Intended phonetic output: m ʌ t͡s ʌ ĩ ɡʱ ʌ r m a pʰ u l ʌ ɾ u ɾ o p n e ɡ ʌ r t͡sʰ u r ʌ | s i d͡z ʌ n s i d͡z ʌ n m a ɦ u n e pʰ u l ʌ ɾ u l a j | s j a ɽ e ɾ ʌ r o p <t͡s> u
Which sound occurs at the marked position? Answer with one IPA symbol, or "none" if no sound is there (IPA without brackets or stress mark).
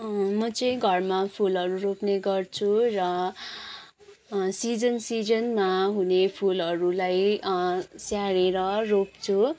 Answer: t͡sʰ